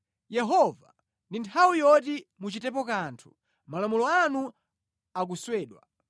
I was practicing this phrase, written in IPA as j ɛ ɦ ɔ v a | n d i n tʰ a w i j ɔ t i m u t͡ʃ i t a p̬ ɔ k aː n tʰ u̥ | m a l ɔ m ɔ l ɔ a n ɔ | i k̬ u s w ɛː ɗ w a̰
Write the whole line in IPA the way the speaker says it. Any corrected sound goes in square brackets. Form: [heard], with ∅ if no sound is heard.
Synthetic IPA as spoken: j ɛ ɦ ɔ v a | n d i n tʰ a w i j ɔ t i m u t͡ʃ i t [ɛ] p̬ ɔ k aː n tʰ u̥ | m a l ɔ m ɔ l ɔ a n [u] | [a] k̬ u s w ɛː ɗ w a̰